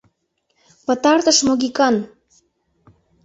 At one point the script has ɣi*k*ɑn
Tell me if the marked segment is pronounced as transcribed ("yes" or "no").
yes